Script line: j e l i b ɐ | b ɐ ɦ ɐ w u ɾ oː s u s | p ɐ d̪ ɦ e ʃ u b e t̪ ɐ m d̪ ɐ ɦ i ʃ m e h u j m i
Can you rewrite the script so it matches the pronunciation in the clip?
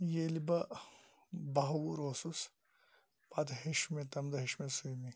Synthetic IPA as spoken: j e l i b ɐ | b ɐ ɦ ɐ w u ɾ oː s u s | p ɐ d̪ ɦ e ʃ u m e t̪ ɐ m d̪ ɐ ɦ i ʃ m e s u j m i